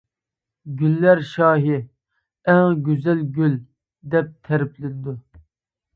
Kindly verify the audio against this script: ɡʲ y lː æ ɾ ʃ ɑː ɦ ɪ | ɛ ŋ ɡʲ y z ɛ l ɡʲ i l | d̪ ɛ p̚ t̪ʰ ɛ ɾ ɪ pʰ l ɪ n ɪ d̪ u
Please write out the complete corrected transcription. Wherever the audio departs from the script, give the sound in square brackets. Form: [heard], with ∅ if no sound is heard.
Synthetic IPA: ɡʲ y lː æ ɾ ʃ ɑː ɦ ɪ | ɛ ŋ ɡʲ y z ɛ l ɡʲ [y] l | d̪ ɛ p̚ t̪ʰ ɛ ɾ ɪ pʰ l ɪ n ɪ d̪ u